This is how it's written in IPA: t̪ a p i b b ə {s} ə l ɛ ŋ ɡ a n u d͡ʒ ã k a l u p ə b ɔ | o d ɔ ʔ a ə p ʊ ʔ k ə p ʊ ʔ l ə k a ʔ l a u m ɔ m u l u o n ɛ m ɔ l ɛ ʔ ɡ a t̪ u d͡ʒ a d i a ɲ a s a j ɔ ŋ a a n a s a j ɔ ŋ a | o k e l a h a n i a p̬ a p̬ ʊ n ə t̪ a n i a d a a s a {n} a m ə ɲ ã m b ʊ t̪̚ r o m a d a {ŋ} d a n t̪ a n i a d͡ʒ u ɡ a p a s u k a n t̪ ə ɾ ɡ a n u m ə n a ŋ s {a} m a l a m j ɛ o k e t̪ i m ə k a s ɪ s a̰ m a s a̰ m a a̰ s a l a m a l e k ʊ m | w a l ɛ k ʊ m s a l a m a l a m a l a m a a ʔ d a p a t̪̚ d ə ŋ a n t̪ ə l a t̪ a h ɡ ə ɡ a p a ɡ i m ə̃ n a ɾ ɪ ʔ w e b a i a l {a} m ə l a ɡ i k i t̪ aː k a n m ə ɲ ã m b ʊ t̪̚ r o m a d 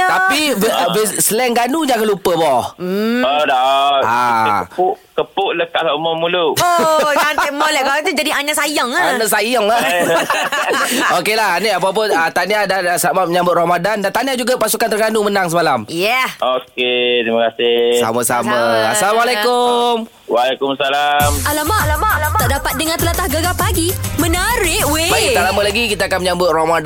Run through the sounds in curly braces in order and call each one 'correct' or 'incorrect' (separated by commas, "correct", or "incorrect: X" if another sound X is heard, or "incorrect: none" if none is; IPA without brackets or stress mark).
correct, incorrect: m, incorrect: n, incorrect: ə, correct